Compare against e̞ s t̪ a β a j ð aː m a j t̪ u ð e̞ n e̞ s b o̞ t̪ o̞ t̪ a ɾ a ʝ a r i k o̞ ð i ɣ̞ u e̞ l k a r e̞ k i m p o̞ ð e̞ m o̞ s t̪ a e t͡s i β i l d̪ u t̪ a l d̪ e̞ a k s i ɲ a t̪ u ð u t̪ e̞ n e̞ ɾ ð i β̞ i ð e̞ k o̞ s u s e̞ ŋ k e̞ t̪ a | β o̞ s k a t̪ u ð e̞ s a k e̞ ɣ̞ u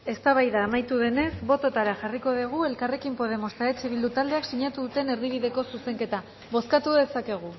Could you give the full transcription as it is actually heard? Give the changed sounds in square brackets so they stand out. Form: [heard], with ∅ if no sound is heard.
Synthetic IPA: e̞ s t̪ a β a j ð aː m a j t̪ u ð e̞ n e̞ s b o̞ t̪ o̞ t̪ a ɾ a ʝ a r i k o̞ ð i ɣ̞ u e̞ l k a r e̞ k i m p o̞ ð e̞ m o̞ s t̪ a e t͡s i β i l d̪ u t̪ a l d̪ e̞ a k s i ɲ a t̪ u ð u t̪ e̞ n e̞ ɾ ð i β̞ i ð e̞ k o̞ s u s e̞ ŋ k e̞ t̪ a | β o̞ s k a t̪ u ð e̞ s a k e̞ ɣ̞ u